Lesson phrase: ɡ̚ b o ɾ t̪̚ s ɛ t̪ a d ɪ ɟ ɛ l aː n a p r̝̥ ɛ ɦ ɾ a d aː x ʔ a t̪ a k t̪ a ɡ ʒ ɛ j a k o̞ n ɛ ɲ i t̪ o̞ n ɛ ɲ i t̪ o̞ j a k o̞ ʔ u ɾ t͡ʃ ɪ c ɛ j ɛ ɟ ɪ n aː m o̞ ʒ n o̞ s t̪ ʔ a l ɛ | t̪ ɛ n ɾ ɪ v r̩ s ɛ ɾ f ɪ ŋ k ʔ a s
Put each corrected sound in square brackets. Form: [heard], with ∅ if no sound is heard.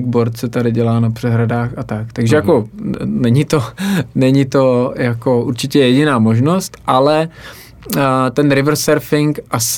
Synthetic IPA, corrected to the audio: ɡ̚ b o ɾ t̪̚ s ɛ t̪ a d ɪ ɟ ɛ l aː n a p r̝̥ ɛ ɦ ɾ a d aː x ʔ a t̪ a k t̪ a ɡ ʒ ɛ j a k o̞ n ɛ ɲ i t̪ o̞ n ɛ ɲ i t̪ o̞ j a k o̞ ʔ u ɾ t͡ʃ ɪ c ɛ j ɛ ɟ ɪ n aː m o̞ ʒ n o̞ s t̪ ʔ a l ɛ | t̪ ɛ n ɾ ɪ v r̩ s ɛ ɾ f ɪ ŋ k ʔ a s